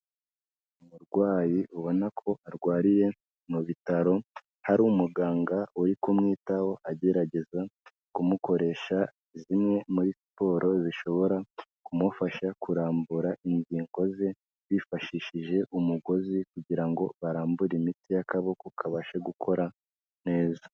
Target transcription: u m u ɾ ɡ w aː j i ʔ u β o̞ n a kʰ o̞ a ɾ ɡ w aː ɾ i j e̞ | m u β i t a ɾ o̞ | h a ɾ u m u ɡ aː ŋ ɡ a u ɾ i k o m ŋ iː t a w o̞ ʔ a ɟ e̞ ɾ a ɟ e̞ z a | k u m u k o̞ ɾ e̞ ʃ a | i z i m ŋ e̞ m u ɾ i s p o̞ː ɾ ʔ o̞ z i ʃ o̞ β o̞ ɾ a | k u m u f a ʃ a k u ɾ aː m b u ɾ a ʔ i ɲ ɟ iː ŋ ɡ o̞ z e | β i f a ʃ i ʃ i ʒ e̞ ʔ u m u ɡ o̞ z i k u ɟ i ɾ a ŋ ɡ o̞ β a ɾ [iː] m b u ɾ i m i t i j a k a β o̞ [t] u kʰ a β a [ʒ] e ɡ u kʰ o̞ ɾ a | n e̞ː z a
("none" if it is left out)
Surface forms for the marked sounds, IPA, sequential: aː, k, ʃ

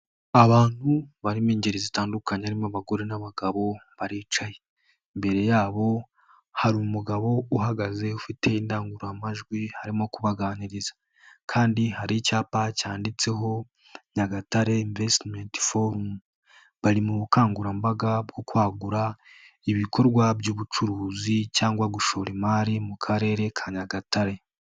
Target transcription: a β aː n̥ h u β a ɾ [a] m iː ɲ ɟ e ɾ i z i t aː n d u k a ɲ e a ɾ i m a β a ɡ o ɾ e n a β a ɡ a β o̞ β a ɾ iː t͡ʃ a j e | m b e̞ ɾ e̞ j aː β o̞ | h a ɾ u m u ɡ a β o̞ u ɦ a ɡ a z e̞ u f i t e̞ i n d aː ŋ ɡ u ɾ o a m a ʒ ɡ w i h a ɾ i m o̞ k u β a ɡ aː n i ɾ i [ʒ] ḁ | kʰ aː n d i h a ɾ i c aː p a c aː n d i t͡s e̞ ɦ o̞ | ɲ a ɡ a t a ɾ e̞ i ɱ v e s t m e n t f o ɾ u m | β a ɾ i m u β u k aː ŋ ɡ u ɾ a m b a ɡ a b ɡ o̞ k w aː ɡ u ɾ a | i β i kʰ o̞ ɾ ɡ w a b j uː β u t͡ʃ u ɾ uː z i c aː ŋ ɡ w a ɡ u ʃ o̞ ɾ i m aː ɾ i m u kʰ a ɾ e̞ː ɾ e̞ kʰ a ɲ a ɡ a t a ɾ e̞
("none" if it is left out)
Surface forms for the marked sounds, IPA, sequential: i, z

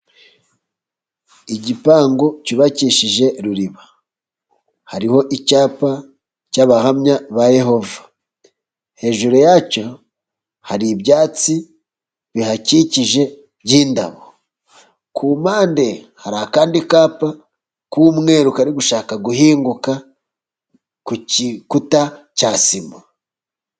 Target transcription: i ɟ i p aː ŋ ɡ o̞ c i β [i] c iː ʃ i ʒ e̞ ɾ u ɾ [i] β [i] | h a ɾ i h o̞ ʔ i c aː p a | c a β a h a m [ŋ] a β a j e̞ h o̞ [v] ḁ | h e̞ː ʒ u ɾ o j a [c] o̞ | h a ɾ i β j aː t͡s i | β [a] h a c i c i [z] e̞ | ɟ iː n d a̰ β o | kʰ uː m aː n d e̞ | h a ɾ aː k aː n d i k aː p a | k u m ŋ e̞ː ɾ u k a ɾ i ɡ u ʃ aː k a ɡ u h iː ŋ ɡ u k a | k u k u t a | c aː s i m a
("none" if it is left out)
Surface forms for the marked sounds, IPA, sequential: a, i, a, ɲ, v, c, i, ʒ

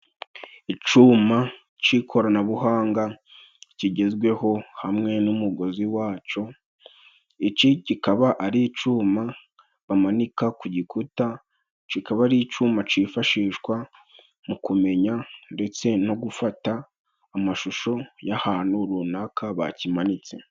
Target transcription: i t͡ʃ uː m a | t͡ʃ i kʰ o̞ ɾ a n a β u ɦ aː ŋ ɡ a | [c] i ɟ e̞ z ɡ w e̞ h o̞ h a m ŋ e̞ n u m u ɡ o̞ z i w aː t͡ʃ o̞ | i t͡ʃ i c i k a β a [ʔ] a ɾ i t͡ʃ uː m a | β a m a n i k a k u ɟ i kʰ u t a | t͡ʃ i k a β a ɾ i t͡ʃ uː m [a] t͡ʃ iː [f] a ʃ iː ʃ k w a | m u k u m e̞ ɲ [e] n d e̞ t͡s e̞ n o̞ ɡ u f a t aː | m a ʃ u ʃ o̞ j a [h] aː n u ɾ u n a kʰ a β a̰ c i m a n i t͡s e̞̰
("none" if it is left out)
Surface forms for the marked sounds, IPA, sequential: c, ʔ, a, f, a, h

